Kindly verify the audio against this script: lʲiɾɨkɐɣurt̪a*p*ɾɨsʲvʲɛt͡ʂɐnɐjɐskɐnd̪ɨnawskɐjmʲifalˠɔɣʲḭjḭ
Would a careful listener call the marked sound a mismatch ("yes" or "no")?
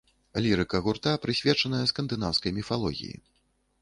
no